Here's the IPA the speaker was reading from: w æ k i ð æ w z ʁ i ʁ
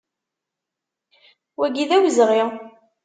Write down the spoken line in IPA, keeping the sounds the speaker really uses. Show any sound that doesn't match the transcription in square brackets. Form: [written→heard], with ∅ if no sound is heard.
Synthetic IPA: w æ [k→ɡ] i ð æ w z ʁ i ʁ

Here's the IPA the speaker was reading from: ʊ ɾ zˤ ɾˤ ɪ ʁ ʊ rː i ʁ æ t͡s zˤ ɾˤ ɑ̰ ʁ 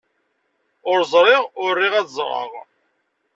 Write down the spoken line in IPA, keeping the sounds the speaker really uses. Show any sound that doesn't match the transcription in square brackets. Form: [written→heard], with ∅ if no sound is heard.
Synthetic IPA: ʊ ɾ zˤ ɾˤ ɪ ʁ ʊ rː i ʁ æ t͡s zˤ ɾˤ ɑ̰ ʁ

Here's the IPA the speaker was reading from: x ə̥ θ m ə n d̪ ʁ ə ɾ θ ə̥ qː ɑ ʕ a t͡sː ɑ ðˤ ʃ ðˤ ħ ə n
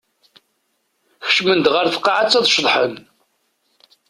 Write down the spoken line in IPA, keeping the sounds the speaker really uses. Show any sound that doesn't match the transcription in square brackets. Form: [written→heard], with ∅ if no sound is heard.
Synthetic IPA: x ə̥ [θ→ʃ] m ə n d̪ ʁ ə ɾ θ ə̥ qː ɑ ʕ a t͡sː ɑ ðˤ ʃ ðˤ ħ ə n

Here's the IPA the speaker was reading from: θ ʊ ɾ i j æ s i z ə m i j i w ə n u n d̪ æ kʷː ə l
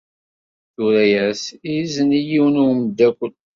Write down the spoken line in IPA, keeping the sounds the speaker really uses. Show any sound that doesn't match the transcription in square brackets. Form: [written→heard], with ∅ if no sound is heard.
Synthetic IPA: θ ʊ ɾ [i→æ] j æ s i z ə [m→n] i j i w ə n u [n→m] d̪ æ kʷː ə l

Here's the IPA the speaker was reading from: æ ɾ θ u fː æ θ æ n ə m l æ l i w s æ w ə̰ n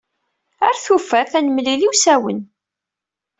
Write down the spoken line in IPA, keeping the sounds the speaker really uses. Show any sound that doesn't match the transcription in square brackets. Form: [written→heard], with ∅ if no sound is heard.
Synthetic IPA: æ ɾ θ u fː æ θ æ n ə m l [æ→i] l i w s æ w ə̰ n

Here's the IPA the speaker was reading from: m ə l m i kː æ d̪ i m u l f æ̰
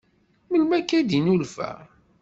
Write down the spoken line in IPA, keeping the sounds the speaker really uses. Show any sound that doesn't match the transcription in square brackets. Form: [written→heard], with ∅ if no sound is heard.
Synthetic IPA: m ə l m [i→æ] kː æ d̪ i [m→n] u l f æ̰

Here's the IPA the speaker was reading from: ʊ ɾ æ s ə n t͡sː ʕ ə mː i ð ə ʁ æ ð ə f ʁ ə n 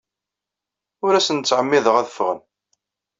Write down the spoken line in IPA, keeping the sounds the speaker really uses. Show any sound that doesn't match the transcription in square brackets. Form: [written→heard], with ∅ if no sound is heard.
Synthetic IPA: ʊ ɾ æ s ə n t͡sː ʕ ə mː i ð ə ʁ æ ð ə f ʁ ə n

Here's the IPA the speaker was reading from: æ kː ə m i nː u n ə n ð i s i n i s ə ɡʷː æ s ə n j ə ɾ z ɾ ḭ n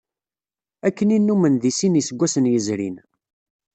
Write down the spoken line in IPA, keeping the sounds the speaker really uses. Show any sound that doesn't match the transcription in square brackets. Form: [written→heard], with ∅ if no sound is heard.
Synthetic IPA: æ kː ə [m→n] i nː u [n→m] ə n ð i s i n i s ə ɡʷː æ s ə n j ə [ɾ→∅] z ɾ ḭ n

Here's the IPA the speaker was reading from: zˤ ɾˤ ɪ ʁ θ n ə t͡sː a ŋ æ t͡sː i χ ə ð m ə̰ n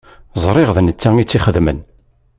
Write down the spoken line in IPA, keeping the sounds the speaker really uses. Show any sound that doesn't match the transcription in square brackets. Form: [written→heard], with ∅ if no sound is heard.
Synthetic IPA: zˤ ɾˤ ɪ ʁ [θ→ð] n ə t͡sː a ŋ [æ→i] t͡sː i χ ə ð m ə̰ n

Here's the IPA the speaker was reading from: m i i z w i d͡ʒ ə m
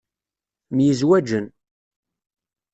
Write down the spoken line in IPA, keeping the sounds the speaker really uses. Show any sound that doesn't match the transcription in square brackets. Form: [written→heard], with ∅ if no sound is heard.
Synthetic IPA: m [i→j] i z w [i→æ] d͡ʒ ə [m→n]

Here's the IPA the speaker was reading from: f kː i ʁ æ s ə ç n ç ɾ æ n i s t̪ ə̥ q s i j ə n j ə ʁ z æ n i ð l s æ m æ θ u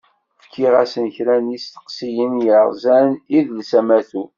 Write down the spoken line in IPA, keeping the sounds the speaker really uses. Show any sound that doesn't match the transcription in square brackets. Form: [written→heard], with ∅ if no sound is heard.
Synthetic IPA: f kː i ʁ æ s ə [ç→∅] n ç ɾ æ n i s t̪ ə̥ q s i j ə n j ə ʁ z æ n i ð l s æ m æ θ u

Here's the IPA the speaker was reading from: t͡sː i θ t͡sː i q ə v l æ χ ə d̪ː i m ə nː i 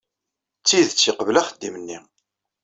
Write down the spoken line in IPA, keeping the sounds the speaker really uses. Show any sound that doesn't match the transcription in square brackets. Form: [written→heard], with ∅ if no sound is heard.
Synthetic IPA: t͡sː i [θ→ð] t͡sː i q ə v l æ χ ə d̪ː i m ə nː i

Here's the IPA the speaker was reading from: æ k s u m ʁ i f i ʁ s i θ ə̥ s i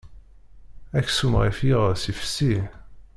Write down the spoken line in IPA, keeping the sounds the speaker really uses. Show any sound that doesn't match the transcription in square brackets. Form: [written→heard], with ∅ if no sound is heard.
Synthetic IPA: æ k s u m ʁ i f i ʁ s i [θ→f] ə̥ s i

